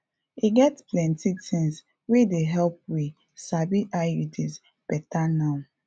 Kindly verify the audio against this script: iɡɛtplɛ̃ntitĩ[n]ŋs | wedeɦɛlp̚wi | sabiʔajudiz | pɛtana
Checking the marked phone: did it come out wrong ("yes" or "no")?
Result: yes